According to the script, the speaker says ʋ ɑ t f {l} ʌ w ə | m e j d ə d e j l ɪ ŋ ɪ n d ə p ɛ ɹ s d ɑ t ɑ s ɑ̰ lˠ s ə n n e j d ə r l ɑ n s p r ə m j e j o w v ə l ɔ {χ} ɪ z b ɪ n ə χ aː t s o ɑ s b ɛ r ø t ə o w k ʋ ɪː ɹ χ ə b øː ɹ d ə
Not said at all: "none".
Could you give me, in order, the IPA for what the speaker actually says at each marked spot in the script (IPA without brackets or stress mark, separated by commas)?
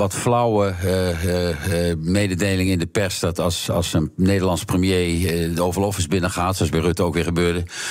l, f